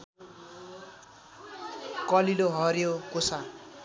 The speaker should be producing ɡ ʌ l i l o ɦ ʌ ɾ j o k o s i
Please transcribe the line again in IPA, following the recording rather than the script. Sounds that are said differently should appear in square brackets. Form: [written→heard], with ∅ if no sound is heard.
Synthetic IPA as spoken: [ɡ→k] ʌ l i l o ɦ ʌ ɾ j o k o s [i→a]